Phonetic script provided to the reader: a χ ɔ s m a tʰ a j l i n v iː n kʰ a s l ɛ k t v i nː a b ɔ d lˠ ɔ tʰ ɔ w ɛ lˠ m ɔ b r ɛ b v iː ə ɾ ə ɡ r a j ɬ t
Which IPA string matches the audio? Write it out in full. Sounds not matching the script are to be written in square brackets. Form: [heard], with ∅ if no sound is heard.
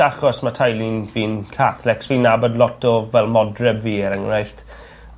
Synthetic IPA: a χ ɔ s m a tʰ a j l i n v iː n kʰ a [θ] l ɛ k [s] v i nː a b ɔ d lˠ ɔ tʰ ɔ [v] ɛ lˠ m ɔ [d] r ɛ b v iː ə ɾ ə [ŋ] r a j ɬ t